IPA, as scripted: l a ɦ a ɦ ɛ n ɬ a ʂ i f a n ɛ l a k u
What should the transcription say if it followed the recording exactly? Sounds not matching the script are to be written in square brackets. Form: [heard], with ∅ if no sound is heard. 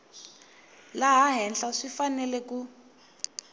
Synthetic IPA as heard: l a ɦ a ɦ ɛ n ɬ a ʂ i f a n ɛ l [ɛ] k u